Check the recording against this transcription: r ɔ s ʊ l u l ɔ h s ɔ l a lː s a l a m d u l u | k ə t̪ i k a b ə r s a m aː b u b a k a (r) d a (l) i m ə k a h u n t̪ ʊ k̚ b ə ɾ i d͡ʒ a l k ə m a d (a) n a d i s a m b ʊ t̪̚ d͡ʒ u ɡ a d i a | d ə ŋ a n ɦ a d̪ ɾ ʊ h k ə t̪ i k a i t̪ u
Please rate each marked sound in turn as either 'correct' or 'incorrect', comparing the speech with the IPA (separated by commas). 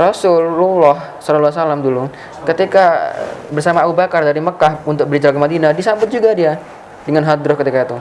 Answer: correct, incorrect, incorrect